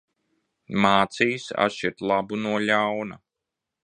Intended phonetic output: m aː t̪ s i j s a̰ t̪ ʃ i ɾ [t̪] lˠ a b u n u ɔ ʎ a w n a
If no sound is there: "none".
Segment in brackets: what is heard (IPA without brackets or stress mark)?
t̪